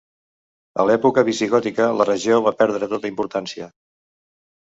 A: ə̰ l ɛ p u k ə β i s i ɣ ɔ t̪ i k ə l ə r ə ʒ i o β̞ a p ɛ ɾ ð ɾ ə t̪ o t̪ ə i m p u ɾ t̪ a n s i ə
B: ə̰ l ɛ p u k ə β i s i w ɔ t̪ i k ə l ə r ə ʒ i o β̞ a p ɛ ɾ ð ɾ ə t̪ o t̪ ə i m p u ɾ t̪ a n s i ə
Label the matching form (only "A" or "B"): A